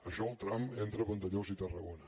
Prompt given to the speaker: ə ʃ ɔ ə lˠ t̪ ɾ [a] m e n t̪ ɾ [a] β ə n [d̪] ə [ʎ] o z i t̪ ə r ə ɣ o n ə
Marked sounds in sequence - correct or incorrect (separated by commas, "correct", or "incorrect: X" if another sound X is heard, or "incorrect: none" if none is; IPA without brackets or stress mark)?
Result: correct, incorrect: ə, incorrect: t̪, correct